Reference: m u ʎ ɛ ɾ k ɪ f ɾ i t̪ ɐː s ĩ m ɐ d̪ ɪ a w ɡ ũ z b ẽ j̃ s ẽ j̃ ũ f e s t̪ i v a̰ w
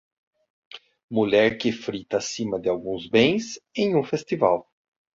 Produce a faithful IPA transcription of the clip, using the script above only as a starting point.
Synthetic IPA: m u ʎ ɛ ɾ k ɪ f ɾ i t̪ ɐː s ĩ m ɐ d̪ ɪ a w ɡ ũ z b ẽ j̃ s ẽ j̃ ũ f e s t̪ i v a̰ w